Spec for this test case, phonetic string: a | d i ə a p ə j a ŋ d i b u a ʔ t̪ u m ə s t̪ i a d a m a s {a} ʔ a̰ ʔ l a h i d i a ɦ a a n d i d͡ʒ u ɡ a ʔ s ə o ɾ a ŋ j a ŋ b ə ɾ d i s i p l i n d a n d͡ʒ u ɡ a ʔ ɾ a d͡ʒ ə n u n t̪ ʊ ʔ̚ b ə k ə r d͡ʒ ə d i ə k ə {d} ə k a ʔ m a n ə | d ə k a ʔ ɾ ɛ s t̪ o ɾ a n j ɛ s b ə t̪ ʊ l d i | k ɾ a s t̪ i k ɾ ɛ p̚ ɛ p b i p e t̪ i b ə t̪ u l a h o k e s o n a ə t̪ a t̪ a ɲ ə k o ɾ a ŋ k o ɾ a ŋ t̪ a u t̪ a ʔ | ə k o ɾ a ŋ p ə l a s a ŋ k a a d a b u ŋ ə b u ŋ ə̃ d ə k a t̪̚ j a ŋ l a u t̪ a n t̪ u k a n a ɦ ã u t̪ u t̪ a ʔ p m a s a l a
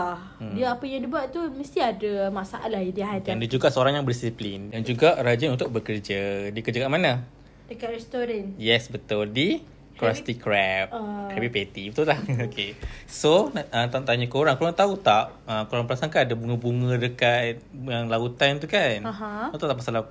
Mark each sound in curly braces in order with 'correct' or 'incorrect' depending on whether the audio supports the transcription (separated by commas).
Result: correct, incorrect